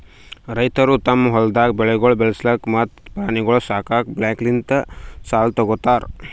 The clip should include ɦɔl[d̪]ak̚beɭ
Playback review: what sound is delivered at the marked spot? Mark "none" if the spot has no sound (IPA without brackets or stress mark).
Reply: d̪